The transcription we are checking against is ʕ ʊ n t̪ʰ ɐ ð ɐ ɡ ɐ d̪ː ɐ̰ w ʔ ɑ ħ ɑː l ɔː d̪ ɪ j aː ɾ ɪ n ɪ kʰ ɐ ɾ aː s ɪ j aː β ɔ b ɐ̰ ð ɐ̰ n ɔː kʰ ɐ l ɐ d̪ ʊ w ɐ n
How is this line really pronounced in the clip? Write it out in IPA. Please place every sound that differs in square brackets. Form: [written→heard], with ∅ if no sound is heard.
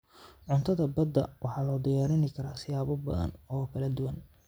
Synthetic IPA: ʕ ʊ n t̪ʰ ɐ ð ɐ [ɡ→b] ɐ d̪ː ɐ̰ w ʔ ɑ ħ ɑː l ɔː d̪ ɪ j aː ɾ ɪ n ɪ kʰ ɐ ɾ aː s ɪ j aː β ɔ b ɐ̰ ð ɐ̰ n ɔː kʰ ɐ l ɐ d̪ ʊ w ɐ n